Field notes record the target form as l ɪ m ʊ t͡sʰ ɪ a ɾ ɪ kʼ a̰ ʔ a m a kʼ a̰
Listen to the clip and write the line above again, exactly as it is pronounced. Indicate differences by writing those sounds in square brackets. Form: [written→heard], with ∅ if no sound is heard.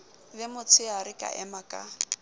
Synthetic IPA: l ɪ m ʊ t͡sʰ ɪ a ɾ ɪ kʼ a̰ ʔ [a→ɛ] m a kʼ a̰